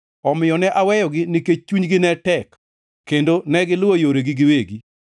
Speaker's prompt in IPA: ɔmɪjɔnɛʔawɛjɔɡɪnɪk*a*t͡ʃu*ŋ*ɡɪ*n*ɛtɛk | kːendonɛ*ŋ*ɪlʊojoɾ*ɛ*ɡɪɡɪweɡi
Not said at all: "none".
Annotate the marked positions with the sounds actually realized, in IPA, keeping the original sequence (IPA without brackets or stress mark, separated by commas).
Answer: e, ɲ, n, ɡ, e